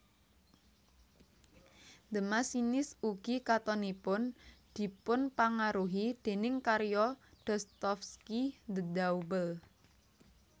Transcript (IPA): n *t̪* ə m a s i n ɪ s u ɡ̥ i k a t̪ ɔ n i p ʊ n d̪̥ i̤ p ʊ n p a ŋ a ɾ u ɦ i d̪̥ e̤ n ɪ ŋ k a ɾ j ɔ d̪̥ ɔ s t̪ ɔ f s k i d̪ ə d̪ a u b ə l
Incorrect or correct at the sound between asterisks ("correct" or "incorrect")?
incorrect